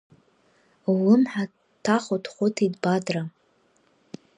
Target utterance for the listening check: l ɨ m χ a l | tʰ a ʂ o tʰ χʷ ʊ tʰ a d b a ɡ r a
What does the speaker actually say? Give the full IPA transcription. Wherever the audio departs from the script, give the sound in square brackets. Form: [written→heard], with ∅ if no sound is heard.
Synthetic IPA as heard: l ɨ m [χ→ħ] a [l→∅] | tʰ a [ʂ→χ] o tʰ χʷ ʊ tʰ [a→i] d b a [ɡ→d] r a